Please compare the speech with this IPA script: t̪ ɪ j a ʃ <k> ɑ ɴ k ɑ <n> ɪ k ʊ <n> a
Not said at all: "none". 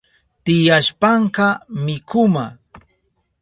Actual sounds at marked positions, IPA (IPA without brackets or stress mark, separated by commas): p, m, m